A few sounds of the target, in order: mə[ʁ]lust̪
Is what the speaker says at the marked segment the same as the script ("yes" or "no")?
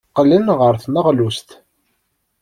yes